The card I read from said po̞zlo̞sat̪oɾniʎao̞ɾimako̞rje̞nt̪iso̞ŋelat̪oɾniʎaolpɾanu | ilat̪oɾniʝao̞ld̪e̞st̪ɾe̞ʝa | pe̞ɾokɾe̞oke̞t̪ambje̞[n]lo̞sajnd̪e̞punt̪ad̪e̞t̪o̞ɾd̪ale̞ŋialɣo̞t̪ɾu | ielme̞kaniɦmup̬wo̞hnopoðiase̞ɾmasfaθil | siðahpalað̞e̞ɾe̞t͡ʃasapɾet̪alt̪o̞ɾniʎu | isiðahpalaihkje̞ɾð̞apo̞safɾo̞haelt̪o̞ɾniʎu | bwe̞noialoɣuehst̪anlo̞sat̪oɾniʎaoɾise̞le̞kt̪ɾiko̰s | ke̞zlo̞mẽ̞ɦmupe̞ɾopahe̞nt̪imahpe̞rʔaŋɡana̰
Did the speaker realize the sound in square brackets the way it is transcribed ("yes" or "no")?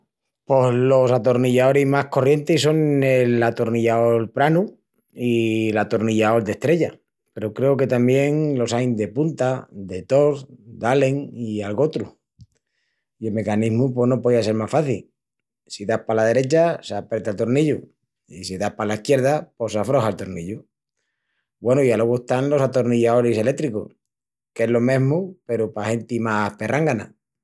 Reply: no